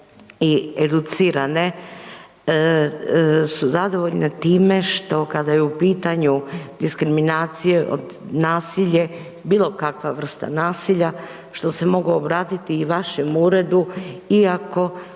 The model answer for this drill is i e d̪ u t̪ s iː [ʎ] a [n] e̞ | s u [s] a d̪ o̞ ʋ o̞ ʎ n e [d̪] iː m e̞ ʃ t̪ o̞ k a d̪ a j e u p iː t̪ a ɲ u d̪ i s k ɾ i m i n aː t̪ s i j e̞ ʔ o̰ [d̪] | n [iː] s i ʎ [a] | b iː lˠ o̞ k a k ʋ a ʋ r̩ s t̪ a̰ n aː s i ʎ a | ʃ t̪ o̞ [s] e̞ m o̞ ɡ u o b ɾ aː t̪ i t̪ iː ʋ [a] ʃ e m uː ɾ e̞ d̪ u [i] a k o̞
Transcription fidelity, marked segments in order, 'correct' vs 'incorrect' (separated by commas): incorrect, correct, incorrect, incorrect, correct, incorrect, incorrect, correct, correct, correct